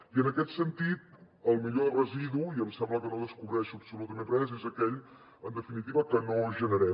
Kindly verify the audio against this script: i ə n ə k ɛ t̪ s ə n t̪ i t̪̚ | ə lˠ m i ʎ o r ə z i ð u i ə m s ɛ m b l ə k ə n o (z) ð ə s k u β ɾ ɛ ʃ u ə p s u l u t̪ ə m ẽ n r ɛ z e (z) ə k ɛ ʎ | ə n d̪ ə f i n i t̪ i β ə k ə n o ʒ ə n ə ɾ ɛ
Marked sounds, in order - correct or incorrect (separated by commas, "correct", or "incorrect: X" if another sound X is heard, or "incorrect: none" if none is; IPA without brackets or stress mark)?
incorrect: none, correct